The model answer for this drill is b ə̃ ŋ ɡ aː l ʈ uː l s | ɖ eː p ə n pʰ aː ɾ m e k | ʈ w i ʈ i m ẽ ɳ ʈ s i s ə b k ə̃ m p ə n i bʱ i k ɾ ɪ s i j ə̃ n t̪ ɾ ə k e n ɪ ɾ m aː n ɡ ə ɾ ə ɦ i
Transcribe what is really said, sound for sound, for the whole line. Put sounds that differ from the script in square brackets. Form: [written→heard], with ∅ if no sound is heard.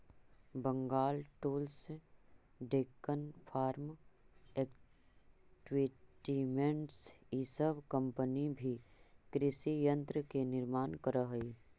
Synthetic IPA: b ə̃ ŋ ɡ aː l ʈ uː l s | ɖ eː [p→k] ə n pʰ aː ɾ m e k | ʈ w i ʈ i m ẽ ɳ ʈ s i s ə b k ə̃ m p ə n i bʱ i k ɾ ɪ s i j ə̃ n t̪ ɾ ə k e n ɪ ɾ m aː n [ɡ→k] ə ɾ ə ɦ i